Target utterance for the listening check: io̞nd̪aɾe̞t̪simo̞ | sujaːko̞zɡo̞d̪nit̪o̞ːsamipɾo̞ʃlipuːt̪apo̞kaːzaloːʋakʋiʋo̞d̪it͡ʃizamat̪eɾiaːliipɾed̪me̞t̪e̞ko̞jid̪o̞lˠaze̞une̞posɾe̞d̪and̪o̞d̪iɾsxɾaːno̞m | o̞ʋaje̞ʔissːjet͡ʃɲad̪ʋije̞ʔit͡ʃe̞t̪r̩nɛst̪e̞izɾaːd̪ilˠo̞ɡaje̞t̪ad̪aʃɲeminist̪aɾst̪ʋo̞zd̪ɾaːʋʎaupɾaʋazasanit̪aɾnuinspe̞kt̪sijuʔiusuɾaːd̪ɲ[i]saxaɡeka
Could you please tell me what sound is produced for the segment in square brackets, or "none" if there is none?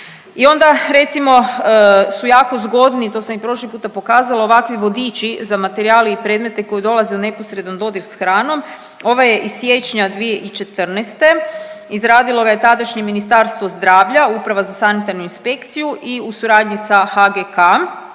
i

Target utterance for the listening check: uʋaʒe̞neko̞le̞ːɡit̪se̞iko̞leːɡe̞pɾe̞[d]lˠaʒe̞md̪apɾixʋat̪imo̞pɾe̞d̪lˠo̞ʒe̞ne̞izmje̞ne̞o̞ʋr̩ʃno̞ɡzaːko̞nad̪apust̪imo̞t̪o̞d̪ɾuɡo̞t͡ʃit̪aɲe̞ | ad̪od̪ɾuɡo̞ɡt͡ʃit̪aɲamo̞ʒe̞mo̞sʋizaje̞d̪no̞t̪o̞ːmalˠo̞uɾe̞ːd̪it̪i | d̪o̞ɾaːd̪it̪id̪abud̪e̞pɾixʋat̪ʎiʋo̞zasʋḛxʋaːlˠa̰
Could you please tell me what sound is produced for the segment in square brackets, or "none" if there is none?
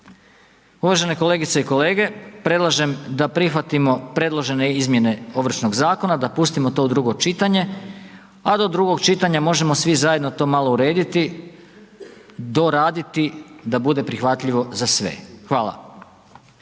d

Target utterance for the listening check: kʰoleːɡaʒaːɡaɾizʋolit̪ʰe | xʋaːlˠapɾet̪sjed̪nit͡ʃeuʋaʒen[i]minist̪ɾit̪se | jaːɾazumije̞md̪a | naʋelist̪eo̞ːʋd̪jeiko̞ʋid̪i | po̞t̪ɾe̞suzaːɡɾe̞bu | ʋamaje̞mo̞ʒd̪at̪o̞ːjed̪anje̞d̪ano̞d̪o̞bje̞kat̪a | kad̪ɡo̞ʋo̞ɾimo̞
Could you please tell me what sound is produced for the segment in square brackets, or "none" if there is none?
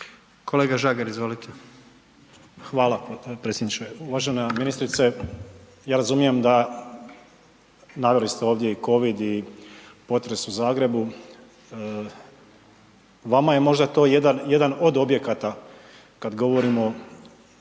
a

